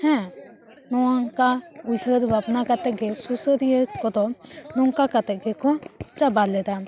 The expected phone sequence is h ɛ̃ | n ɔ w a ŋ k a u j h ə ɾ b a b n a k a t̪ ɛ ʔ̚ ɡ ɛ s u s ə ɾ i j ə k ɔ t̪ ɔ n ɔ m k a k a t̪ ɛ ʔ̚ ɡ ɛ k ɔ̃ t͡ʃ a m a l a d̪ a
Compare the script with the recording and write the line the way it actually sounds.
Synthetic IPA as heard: h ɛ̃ | n ɔ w a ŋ k a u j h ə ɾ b a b n a k a t̪ ɛ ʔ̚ ɡ ɛ s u s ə ɾ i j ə k ɔ d̪ ɔ n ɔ ŋ k a k a t̪ ɛ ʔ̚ ɡ ɛ k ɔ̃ t͡ʃ a b a l ɛ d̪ a